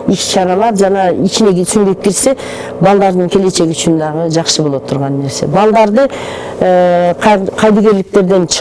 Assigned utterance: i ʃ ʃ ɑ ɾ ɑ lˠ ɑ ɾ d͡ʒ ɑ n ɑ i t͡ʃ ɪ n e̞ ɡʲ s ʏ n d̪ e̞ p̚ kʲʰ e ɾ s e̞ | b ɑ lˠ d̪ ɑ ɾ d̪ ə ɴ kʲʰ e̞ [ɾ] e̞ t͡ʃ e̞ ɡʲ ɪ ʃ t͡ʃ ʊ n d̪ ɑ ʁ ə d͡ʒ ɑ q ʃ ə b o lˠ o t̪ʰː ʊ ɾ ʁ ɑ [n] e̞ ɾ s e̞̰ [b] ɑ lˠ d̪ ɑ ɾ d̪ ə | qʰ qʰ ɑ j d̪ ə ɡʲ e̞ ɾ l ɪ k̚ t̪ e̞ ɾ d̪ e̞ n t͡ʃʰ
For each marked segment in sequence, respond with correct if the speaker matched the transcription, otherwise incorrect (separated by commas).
incorrect, incorrect, correct